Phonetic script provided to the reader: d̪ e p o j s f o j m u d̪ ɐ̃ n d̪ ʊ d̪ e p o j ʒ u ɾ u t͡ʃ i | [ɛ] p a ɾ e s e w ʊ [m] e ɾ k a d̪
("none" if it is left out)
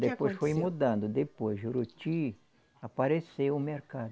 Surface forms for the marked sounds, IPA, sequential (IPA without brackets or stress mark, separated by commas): a, m